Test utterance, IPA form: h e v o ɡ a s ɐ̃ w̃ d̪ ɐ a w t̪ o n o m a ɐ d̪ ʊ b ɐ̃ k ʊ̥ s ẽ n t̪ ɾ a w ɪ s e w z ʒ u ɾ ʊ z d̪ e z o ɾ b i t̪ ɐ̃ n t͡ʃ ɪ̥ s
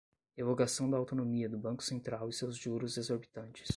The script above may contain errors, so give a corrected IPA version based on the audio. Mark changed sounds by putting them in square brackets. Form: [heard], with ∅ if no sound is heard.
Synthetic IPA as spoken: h e v o ɡ a s ɐ̃ w̃ d̪ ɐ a w t̪ o n o m [i] ɐ d̪ ʊ b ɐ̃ k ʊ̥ s ẽ n t̪ ɾ a w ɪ s e w z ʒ u ɾ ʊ z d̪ e z o ɾ b i t̪ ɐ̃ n t͡ʃ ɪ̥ s